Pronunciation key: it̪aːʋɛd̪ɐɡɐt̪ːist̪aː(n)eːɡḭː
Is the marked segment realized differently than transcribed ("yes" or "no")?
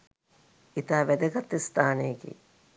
no